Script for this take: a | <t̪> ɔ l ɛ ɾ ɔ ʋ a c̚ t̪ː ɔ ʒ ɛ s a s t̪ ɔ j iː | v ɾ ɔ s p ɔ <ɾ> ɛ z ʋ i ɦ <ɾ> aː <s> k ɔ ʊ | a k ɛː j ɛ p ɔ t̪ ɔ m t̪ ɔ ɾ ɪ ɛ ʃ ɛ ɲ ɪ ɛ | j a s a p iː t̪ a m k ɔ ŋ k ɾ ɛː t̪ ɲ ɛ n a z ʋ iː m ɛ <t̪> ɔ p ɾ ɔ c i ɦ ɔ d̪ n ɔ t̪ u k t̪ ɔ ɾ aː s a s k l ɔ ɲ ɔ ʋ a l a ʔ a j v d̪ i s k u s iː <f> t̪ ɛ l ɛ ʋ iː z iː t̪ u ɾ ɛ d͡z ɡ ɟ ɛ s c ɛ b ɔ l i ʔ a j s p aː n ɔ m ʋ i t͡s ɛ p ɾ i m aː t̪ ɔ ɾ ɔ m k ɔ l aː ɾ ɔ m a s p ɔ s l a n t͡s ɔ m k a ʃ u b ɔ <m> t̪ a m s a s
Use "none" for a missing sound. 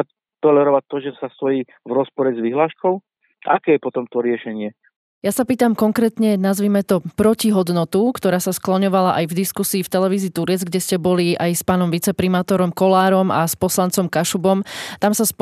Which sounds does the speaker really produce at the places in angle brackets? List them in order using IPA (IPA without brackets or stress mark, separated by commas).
t̪, ɾ, l, ʃ, t̪, f, m